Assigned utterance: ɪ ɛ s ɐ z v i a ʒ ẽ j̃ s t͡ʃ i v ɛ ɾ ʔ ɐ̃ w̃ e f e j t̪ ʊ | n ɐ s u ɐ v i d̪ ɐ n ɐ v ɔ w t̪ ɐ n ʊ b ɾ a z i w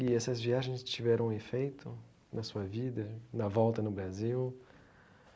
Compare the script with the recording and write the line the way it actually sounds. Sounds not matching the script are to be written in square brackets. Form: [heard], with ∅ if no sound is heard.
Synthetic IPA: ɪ ɛ s ɐ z v i a ʒ ẽ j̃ s t͡ʃ i v ɛ ɾ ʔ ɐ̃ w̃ e f e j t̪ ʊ | n ɐ s u ɐ v i d̪ ɐ n ɐ v ɔ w t̪ ɐ n ʊ b ɾ a z i w